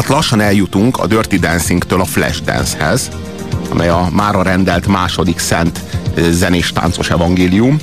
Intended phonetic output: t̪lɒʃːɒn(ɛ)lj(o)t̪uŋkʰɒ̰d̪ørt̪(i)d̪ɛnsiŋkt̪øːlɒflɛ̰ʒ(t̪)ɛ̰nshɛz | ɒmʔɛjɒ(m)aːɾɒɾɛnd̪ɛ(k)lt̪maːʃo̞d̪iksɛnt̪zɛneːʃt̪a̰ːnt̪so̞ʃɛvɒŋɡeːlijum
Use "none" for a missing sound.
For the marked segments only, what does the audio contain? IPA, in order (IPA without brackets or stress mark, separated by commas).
ɛ, u, i, d̪, m, none